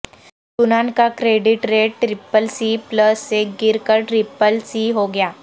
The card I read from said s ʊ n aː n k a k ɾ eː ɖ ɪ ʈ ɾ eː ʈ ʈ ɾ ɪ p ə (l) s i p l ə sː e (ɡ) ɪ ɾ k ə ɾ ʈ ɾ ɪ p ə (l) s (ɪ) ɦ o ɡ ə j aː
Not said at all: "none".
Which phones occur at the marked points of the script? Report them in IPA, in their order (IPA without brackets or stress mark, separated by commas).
l, ɡ, l, i